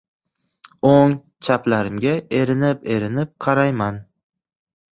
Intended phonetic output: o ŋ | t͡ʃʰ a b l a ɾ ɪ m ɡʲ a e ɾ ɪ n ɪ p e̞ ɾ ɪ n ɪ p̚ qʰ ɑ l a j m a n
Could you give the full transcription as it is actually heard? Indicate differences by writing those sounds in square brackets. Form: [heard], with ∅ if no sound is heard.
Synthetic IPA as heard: o ŋ | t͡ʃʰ a [p] l a ɾ ɪ m ɡʲ a e ɾ ɪ n ɪ p e̞ ɾ ɪ n ɪ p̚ qʰ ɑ [ɾ] a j m a n